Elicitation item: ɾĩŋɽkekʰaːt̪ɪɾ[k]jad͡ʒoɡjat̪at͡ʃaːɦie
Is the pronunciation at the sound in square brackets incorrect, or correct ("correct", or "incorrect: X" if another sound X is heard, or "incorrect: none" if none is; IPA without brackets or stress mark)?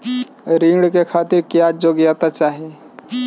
correct